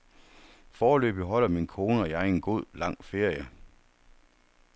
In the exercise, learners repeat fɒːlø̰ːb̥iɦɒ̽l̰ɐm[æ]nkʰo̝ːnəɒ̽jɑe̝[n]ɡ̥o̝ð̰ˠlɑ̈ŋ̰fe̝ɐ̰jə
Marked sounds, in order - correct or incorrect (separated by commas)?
incorrect, correct